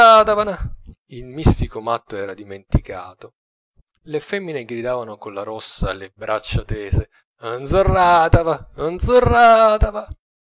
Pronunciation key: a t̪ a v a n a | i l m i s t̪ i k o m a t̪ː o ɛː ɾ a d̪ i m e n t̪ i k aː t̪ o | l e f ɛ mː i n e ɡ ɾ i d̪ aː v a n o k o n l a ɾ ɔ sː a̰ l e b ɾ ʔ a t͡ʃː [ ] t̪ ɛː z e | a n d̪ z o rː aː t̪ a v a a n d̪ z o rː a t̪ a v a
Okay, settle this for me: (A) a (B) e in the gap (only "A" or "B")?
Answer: A